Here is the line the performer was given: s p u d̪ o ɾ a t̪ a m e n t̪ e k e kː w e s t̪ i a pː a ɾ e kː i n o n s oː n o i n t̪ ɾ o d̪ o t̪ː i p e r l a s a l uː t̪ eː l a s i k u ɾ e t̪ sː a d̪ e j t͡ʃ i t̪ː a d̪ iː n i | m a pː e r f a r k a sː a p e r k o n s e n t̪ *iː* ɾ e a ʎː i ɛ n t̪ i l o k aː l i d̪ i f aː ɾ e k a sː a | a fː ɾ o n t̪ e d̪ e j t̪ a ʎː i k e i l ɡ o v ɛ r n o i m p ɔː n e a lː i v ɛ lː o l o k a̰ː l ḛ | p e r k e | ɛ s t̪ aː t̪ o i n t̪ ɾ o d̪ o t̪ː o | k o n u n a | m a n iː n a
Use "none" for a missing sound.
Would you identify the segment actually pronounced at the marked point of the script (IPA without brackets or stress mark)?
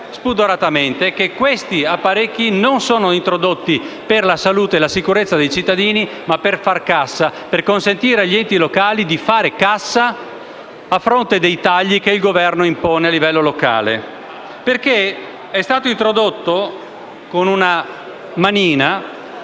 iː